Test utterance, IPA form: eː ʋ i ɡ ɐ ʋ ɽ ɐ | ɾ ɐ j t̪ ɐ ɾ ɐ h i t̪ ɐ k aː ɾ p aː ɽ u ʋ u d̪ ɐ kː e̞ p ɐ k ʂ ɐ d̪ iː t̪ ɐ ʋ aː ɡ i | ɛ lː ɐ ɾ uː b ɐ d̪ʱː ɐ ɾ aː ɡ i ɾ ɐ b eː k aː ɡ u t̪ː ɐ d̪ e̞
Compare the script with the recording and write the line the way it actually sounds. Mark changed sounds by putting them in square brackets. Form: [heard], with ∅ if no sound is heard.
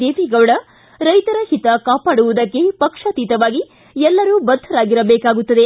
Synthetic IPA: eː ʋ i ɡ ɐ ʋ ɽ ɐ | ɾ ɐ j t̪ ɐ ɾ ɐ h i t̪ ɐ k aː [∅] p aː ɽ u ʋ u d̪ ɐ kː e̞ p ɐ k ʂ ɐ [t̪] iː t̪ ɐ ʋ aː ɡ i | ɛ lː ɐ ɾ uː b ɐ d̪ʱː ɐ ɾ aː ɡ i ɾ ɐ b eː k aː ɡ u t̪ː ɐ d̪ e̞